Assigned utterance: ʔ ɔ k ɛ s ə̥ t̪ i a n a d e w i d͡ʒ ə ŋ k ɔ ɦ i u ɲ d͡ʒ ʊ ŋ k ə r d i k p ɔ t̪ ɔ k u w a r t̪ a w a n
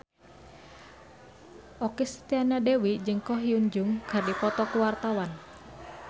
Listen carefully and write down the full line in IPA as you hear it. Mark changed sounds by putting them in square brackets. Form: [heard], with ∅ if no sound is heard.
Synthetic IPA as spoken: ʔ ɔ k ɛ s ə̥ t̪ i a n a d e w i d͡ʒ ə ŋ k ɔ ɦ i u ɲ d͡ʒ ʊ ŋ k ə r d i [∅] p ɔ t̪ ɔ k u w a r t̪ a w a n